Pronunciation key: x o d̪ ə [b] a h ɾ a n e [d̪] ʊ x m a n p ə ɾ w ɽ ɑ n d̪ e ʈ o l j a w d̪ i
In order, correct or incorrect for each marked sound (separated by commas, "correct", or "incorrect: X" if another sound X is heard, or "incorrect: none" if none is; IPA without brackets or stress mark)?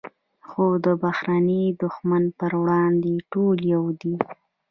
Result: correct, correct